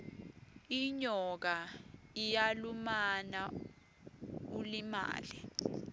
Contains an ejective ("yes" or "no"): no